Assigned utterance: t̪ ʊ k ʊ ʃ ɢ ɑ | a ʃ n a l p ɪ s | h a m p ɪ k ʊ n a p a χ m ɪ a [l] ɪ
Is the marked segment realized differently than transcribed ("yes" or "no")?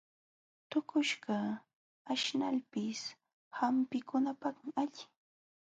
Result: yes